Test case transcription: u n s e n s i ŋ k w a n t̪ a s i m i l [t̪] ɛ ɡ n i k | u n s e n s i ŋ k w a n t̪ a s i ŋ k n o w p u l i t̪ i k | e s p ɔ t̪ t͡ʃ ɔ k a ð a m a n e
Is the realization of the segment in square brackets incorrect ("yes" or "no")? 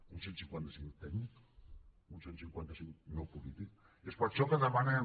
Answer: no